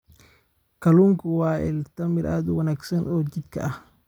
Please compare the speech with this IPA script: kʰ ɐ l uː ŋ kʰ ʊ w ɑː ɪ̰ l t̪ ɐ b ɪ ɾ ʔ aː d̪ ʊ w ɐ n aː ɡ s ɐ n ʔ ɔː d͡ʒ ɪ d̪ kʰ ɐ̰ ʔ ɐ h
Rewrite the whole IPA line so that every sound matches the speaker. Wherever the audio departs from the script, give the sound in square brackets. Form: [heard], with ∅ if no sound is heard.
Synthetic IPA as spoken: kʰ ɐ l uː ŋ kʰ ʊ w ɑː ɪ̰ l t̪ ɐ [m] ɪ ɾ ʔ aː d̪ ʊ w ɐ n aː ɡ s ɐ n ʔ ɔː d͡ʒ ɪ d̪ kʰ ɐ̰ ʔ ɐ h

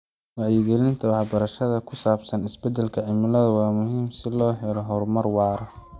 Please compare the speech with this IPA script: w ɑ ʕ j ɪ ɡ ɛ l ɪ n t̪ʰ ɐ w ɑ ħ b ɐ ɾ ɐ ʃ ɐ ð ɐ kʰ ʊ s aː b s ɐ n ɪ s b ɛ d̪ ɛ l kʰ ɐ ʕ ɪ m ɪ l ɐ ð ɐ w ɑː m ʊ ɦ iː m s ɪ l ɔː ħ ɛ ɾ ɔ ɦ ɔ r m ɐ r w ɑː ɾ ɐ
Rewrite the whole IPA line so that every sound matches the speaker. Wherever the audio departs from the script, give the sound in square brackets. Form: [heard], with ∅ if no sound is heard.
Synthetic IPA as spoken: w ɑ ʕ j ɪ ɡ ɛ l ɪ n t̪ʰ ɐ w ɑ ħ b ɐ ɾ ɐ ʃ ɐ ð ɐ kʰ ʊ s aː b s ɐ n ɪ s b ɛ d̪ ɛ l kʰ ɐ ʕ ɪ m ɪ l ɐ ð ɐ w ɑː m ʊ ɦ iː m s ɪ l ɔː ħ ɛ ɾ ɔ ɦ ɔ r m ɐ r w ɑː ɾ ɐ

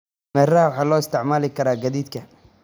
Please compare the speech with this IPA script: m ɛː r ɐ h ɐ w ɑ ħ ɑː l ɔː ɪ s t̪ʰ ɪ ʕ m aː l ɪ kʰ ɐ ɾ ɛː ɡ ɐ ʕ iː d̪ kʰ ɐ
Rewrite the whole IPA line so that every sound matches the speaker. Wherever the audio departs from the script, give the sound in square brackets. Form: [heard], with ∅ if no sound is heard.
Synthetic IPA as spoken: m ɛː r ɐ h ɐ w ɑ ħ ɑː l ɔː ɪ s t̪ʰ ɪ ʕ m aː l ɪ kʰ ɐ ɾ [aː] ɡ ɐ [ð] iː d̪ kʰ ɐ

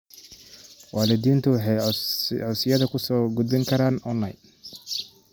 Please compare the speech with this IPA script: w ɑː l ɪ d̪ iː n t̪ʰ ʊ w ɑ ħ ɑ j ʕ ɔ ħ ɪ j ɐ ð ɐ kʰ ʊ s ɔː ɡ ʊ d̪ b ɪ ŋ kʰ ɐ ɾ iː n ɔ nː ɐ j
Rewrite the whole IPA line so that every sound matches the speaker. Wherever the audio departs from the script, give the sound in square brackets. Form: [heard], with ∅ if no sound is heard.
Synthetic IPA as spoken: w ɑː l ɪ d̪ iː n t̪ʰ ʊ w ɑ ħ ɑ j ʕ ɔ [s] ɪ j ɐ ð ɐ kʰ ʊ s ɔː ɡ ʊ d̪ b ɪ ŋ kʰ ɐ ɾ [aː] n ɔ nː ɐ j

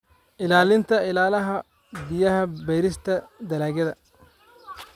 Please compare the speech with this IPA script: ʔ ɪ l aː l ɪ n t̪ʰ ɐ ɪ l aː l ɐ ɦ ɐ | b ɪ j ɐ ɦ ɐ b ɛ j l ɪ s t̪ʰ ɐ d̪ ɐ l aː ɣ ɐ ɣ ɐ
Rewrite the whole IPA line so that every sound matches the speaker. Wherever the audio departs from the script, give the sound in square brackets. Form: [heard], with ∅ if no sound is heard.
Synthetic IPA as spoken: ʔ ɪ l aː l ɪ n t̪ʰ ɐ ɪ l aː l ɐ ɦ ɐ | b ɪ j ɐ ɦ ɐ b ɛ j [ɾ] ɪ s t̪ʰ ɐ d̪ ɐ l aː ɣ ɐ [ð] ɐ

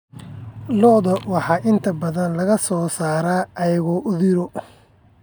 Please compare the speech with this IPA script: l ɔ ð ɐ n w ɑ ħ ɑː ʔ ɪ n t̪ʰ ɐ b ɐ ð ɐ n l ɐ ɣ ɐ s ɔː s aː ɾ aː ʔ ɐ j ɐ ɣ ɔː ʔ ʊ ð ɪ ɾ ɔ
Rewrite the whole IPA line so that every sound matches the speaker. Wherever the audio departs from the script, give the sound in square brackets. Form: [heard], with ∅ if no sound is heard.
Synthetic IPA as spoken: l ɔ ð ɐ [∅] w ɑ ħ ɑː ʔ ɪ n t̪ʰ ɐ b ɐ ð ɐ n l ɐ ɣ ɐ s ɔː s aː ɾ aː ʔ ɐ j ɐ ɣ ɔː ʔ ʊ ð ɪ ɾ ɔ

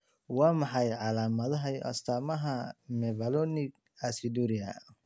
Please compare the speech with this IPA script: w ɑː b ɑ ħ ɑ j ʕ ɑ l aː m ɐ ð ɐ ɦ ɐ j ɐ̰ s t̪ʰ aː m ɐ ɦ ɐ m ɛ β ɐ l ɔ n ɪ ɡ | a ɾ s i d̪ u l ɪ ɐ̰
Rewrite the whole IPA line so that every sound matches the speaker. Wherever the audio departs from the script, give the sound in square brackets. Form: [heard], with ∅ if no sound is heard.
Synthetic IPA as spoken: w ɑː [m] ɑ ħ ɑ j ʕ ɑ l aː m ɐ ð ɐ ɦ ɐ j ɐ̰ s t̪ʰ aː m ɐ ɦ ɐ m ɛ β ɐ l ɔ n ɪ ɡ | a [∅] s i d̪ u [ɾ] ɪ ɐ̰

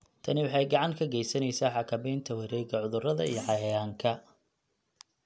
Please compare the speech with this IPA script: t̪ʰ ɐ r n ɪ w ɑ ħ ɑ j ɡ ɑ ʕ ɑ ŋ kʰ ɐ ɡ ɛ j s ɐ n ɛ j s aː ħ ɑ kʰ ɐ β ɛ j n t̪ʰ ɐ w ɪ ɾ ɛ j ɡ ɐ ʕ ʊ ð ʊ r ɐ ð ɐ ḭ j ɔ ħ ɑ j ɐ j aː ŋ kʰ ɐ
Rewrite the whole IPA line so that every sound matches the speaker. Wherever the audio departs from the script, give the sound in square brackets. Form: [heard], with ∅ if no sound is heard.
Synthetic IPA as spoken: t̪ʰ ɐ [∅] n ɪ w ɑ ħ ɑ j ɡ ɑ ʕ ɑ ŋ kʰ ɐ ɡ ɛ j s ɐ n ɛ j s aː ħ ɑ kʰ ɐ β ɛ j n t̪ʰ ɐ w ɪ ɾ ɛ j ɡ ɐ ʕ ʊ ð ʊ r ɐ ð ɐ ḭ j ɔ ħ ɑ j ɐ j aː ŋ kʰ ɐ

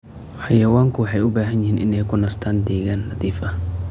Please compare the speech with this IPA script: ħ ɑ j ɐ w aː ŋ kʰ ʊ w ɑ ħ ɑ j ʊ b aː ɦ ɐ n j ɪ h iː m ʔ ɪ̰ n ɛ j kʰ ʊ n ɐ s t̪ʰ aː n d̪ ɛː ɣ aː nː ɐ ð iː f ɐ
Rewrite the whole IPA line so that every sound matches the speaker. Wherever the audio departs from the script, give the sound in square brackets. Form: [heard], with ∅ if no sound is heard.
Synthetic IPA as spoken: ħ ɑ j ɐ w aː ŋ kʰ ʊ w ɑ ħ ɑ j ʊ b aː ɦ ɐ n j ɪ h iː [n] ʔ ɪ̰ n ɛ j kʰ ʊ n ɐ s t̪ʰ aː n d̪ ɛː ɣ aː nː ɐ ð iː f ɐ

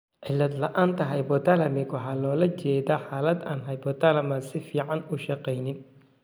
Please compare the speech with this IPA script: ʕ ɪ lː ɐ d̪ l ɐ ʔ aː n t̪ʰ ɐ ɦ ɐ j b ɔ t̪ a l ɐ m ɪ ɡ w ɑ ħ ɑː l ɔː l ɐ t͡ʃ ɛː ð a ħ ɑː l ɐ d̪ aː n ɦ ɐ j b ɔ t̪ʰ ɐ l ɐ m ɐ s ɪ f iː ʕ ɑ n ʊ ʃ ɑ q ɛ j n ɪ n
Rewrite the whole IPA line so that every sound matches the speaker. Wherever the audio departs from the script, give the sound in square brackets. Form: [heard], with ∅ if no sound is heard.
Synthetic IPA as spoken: ʕ ɪ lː ɐ d̪ l ɐ ʔ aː n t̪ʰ ɐ ɦ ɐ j b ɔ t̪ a l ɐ m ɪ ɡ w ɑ ħ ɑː l ɔː l ɐ t͡ʃ ɛː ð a ħ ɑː l ɐ d̪ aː n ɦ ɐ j b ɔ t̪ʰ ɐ l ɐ m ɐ s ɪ f iː ʕ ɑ n ʊ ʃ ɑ q ɛ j n ɪ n

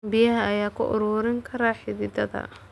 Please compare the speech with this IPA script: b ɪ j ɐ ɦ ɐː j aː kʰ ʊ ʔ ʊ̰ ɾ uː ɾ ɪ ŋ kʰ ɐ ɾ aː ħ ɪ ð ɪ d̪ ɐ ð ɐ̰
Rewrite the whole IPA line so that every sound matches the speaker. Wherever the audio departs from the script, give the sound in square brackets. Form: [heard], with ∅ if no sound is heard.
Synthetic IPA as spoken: b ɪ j ɐ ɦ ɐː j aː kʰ ʊ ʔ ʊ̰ ɾ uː ɾ ɪ ŋ kʰ ɐ ɾ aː ħ ɪ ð ɪ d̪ ɐ ð ɐ̰

